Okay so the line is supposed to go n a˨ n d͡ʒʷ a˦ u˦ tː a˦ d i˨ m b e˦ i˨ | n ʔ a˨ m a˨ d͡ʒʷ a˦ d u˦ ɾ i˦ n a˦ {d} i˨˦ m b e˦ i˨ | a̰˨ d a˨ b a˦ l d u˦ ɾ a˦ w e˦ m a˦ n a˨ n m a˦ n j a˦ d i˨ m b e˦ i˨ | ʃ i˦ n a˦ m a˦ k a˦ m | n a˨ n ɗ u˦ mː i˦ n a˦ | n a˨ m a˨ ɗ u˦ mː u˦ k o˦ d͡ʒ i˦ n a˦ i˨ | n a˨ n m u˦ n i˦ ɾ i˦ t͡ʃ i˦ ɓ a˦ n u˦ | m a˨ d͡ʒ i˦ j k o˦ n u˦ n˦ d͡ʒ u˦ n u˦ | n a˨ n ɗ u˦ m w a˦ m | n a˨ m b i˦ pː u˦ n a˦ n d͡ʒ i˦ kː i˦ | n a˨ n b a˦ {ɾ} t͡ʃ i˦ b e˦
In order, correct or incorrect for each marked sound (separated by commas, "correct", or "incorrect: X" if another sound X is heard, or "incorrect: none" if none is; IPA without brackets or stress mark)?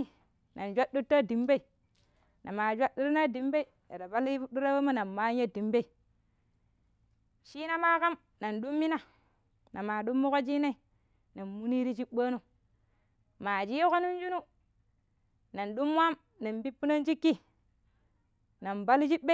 correct, incorrect: l